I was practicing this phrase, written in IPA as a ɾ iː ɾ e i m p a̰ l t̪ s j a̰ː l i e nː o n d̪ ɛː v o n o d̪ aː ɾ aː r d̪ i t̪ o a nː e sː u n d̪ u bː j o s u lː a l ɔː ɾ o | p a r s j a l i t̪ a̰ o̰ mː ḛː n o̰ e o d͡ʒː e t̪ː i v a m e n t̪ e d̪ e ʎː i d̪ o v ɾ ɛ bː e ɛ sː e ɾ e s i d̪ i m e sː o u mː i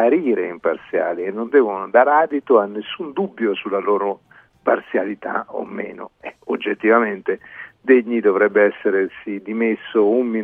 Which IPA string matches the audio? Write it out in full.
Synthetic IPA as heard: a ɾ iː ɾ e i m p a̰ r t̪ s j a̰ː l i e nː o n d̪ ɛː v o n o d̪ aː ɾ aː d̪ i t̪ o a nː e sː u n d̪ u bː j o s u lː a l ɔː ɾ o | p a r s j a l i t̪ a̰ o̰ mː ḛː n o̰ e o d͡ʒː e t̪ː i v a m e n t̪ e d̪ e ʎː i d̪ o v ɾ ɛ bː e ɛ sː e ɾ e s i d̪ i m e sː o u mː i